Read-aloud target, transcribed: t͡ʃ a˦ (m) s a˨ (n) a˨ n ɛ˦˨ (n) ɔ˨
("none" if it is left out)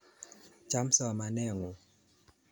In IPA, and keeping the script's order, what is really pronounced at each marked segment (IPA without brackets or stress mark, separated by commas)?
m, m, ŋ